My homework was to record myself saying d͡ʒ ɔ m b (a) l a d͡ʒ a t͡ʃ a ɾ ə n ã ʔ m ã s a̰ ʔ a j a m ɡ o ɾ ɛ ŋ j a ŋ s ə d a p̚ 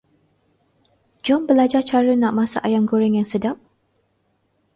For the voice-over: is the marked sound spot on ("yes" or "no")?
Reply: no